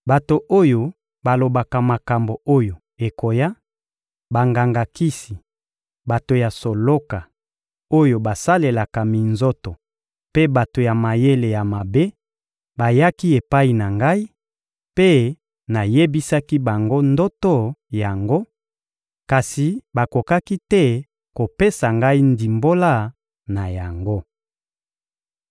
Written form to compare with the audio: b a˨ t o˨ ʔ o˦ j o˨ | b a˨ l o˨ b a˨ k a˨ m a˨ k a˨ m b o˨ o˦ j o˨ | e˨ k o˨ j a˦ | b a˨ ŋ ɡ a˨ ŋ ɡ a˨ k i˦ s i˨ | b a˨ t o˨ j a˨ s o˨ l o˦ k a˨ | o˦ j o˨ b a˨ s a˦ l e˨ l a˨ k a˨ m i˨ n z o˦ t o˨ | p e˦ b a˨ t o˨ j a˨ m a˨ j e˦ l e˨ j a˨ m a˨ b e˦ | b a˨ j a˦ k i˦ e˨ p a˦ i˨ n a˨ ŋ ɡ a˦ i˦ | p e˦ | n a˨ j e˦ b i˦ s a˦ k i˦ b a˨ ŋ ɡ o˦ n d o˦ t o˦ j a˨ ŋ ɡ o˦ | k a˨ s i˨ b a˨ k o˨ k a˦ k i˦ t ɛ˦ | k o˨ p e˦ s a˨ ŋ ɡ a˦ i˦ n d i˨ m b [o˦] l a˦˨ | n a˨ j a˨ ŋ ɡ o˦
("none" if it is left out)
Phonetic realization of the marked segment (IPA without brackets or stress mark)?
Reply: o˦